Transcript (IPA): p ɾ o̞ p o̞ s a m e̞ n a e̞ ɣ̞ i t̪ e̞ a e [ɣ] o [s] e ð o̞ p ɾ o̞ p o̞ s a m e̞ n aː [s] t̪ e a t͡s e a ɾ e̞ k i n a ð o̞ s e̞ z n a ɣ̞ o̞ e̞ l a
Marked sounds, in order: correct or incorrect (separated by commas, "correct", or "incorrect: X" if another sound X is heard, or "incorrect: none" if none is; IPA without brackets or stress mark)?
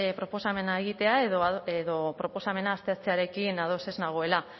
incorrect: ð, incorrect: none, correct